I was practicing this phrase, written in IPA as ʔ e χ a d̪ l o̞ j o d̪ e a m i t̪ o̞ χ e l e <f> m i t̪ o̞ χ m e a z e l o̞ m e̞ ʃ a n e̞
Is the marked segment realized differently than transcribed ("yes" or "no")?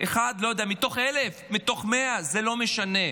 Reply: no